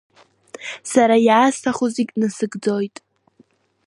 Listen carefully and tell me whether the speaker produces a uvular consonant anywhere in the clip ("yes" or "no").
yes